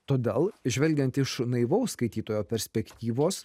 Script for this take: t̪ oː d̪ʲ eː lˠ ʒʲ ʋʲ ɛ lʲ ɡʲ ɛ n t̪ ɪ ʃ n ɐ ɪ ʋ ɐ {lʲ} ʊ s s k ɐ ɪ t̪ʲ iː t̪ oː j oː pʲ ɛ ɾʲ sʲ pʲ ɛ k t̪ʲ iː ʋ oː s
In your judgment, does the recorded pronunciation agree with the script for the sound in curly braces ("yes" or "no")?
no